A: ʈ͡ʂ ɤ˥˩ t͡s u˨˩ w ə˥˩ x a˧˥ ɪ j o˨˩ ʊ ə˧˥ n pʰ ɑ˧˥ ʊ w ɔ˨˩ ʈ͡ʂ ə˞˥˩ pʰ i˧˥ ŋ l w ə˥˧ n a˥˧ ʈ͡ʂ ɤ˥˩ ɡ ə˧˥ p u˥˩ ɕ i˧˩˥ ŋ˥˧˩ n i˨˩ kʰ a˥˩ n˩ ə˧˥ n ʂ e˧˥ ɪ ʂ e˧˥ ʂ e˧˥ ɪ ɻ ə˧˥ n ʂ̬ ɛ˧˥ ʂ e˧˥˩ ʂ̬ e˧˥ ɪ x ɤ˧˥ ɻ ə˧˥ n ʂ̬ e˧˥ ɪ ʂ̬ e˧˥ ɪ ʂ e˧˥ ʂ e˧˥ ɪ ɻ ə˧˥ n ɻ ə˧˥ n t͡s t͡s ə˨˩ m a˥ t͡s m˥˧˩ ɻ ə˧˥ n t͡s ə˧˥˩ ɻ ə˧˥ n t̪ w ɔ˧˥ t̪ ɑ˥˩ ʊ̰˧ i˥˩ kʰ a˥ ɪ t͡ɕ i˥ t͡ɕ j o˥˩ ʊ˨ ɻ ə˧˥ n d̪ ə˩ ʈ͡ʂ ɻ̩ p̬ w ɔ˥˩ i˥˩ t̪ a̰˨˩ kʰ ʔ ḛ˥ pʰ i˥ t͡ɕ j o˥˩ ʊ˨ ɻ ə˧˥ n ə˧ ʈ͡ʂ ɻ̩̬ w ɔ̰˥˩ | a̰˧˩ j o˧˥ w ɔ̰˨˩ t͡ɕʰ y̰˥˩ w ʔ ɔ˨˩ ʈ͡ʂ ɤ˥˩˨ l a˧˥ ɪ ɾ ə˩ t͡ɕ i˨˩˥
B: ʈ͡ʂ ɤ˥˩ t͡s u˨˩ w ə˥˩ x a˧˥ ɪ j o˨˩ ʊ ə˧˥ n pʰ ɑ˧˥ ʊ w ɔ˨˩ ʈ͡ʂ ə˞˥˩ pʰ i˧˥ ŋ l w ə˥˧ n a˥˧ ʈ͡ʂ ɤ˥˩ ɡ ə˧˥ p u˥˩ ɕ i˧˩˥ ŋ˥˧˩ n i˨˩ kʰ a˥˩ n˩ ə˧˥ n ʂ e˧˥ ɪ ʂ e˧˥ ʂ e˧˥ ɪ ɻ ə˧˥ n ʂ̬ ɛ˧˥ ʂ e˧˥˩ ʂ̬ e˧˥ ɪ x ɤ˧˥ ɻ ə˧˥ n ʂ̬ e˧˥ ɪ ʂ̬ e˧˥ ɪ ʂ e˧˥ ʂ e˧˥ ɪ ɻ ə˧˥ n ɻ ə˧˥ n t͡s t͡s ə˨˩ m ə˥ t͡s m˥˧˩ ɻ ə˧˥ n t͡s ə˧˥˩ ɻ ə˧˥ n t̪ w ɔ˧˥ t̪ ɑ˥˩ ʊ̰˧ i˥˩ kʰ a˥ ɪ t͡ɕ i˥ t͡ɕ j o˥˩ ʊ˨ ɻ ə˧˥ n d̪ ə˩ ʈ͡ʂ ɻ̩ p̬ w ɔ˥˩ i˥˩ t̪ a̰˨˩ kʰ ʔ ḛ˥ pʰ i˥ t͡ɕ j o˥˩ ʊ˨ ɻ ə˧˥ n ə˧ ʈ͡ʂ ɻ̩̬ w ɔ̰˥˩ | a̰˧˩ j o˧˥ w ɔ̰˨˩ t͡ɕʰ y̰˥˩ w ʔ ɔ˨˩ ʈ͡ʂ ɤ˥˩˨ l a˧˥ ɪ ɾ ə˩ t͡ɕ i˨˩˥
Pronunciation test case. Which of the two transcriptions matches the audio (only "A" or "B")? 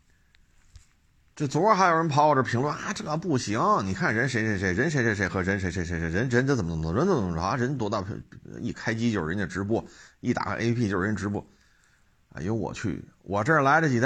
B